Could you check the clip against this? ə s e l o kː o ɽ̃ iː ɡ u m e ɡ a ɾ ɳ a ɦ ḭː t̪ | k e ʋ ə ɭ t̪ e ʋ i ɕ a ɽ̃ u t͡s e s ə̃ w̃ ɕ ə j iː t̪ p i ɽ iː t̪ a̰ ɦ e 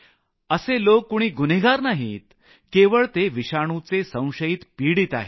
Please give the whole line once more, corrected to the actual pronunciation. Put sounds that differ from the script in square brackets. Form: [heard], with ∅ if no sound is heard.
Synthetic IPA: ə s e l o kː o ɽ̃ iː ɡ u [n] e ɡ a ɾ [n] a ɦ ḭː t̪ | k e ʋ ə ɭ t̪ e ʋ i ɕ a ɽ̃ u t͡s e s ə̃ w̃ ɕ ə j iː t̪ p i ɽ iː t̪ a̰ ɦ e